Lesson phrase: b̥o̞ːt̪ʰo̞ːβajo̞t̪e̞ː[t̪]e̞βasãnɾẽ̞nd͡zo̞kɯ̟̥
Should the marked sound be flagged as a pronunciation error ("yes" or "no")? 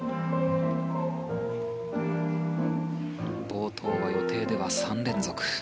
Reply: yes